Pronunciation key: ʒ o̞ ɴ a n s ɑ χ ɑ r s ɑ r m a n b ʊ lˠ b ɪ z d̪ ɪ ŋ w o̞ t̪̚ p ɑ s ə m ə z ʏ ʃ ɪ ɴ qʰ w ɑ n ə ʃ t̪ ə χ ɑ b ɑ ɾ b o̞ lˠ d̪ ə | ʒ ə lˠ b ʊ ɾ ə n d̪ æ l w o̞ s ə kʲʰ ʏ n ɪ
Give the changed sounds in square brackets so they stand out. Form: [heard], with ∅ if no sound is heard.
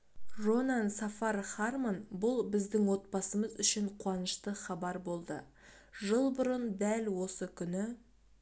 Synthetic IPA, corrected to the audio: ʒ o̞ [n] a n s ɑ [f] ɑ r [χ] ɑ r m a n b ʊ lˠ b ɪ z d̪ ɪ ŋ w o̞ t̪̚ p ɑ s ə m ə z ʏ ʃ ɪ ɴ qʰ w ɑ n ə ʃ t̪ ə χ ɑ b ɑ ɾ b o̞ lˠ d̪ ə | ʒ ə lˠ b ʊ ɾ ə n d̪ æ l w o̞ s ə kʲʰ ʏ n ɪ